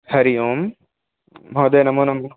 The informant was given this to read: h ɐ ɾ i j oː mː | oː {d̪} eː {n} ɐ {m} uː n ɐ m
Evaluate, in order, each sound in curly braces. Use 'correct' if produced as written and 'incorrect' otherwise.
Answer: correct, correct, correct

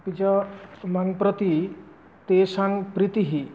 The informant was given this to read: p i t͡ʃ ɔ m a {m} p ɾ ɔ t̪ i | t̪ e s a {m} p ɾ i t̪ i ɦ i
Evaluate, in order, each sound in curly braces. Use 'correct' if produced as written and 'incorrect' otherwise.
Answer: incorrect: ŋ, incorrect: ŋ

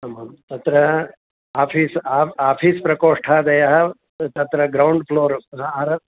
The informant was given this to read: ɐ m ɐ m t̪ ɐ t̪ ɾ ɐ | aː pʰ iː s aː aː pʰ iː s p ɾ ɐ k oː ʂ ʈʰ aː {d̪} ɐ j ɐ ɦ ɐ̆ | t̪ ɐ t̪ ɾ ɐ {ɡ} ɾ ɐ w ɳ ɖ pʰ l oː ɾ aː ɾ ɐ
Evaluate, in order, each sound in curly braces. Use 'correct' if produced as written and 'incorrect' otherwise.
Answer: correct, correct

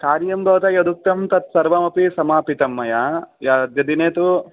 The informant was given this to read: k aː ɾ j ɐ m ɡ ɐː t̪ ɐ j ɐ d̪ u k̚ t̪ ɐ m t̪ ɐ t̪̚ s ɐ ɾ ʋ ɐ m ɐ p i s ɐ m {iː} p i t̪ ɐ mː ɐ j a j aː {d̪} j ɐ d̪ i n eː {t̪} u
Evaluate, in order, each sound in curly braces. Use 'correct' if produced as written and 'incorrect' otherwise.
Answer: incorrect: aː, correct, correct

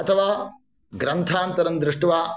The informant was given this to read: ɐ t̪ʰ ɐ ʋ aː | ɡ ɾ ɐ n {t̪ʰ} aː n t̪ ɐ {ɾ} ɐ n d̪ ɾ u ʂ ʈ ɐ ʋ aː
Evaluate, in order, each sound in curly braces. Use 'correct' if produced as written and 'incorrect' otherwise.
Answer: correct, correct

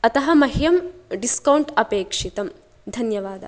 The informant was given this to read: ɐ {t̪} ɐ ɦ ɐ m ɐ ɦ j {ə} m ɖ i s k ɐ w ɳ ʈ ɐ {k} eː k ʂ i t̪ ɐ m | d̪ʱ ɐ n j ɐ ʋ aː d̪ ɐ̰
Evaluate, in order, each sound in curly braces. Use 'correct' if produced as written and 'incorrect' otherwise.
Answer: correct, incorrect: ɐ, incorrect: p

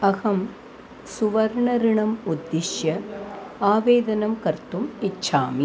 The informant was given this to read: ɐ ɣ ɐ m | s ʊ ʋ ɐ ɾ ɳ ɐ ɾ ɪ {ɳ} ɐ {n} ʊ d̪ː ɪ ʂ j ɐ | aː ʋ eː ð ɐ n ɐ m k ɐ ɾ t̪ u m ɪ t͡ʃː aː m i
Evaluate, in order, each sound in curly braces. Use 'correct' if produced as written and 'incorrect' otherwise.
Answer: correct, incorrect: m

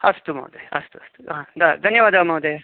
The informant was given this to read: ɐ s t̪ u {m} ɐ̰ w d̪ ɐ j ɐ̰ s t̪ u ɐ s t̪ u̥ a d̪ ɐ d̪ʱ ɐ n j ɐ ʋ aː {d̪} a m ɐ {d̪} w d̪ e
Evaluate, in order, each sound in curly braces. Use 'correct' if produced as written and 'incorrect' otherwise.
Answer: correct, correct, incorrect: none

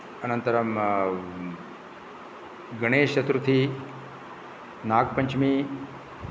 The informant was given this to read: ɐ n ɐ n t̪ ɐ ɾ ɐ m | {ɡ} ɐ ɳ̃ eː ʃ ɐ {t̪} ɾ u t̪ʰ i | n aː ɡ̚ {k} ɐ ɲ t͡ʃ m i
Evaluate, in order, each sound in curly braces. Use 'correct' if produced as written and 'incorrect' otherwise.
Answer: correct, correct, incorrect: p

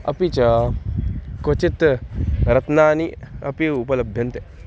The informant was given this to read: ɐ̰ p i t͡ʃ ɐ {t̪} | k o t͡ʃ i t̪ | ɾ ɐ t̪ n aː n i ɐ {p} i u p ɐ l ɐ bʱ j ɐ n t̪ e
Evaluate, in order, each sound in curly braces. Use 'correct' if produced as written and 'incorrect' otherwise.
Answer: incorrect: none, correct

